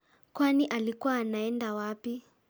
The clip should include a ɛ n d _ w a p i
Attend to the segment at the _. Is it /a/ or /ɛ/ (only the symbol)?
a